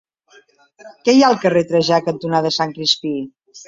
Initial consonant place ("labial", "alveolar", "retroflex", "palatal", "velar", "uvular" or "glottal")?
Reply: velar